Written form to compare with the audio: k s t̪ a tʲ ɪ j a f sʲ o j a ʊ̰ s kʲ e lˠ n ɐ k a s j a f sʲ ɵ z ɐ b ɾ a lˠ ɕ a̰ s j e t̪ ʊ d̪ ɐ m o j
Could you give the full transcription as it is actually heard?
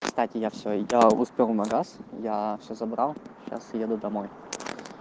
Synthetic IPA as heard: k s t̪ a tʲ ɪ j a f sʲ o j a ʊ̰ s pʲ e lˠ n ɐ ɡ a s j a f sʲ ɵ z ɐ b ɾ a lˠ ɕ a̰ s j e d̪ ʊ d̪ ɐ m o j